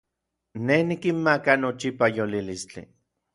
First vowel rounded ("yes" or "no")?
no